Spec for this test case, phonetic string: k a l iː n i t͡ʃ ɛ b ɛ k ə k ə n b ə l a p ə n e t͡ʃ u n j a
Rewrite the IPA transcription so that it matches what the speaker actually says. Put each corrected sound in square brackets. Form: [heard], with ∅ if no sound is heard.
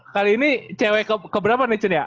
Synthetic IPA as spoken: k a l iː n i t͡ʃ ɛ [w] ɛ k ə k ə [∅] b ə [ɾ] a p [a] n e t͡ʃ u n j a